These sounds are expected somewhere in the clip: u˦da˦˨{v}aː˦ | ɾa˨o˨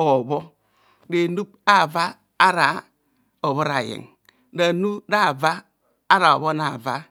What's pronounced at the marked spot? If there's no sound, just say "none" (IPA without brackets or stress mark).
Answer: v